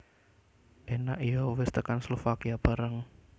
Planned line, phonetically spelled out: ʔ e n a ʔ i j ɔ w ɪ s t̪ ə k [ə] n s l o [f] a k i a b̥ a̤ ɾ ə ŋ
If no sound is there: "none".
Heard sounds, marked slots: a, f

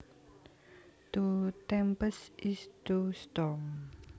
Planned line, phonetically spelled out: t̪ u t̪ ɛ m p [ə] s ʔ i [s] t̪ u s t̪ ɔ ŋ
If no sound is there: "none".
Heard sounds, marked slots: ə, s

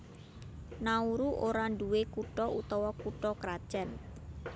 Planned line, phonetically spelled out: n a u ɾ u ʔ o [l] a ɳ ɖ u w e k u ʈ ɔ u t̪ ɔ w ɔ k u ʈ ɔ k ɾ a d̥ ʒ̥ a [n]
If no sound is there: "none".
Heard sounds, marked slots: ɾ, n

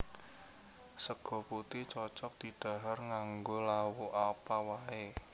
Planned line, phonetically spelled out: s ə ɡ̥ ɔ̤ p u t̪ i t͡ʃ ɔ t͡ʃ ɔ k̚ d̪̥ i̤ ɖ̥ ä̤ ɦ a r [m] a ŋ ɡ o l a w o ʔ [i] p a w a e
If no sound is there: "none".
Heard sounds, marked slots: ŋ, a

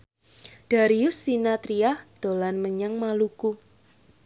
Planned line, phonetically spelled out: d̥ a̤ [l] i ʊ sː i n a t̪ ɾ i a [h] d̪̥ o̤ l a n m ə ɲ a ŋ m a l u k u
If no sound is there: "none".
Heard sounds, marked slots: ɾ, h

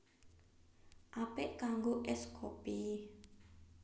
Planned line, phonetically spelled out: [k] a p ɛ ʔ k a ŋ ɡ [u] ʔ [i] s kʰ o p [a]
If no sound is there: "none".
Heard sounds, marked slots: ʔ, o, ɛ, i

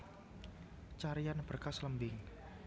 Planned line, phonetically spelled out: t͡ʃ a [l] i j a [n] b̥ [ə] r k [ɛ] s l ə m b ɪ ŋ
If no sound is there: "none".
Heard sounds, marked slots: ɾ, n, ə, a

